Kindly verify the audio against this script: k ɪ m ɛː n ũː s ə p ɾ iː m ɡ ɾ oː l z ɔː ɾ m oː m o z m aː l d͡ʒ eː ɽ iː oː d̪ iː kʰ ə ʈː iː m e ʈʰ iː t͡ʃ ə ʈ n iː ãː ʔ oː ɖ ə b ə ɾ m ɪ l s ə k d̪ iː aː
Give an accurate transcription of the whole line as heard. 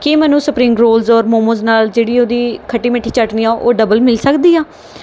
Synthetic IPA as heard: k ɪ m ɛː n ũː s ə p ɾ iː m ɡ ɾ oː l z ɔː ɾ m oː m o z n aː l d͡ʒ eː ɽ iː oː d̪ iː kʰ ə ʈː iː m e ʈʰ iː t͡ʃ ə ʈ n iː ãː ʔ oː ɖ ə b ə l m ɪ l s ə k d̪ iː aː